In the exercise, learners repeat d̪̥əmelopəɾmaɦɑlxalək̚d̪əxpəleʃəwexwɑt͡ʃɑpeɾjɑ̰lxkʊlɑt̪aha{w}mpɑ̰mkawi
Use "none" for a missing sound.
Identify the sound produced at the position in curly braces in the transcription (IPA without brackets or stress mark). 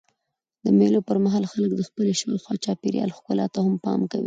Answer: none